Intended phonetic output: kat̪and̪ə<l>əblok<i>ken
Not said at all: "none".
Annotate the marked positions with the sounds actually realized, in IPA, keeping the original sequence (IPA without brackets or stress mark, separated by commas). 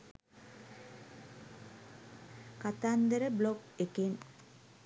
ɾ, e